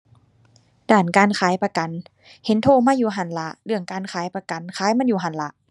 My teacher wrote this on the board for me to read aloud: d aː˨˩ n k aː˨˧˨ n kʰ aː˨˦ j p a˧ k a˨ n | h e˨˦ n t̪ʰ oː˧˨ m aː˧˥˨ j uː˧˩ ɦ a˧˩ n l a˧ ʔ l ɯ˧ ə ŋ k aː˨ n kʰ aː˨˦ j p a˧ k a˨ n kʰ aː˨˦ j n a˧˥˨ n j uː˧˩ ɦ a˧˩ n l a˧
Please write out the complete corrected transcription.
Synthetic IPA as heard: d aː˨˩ n k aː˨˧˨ n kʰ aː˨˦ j p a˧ k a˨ n | h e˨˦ n t̪ʰ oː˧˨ m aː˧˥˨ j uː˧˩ ɦ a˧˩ n l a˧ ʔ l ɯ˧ ə ŋ k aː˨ n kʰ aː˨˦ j p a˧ k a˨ n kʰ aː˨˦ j m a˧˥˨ n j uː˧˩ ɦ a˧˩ n l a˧